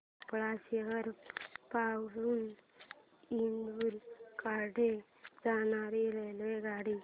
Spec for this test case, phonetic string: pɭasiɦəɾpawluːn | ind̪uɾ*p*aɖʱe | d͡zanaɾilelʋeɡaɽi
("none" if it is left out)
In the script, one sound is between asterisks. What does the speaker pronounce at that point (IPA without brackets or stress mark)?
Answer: k